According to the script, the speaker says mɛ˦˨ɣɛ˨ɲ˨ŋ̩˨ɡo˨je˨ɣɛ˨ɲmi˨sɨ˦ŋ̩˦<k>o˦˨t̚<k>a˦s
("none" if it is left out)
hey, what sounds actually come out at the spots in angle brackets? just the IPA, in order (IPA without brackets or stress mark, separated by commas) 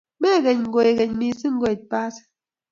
ɡ, p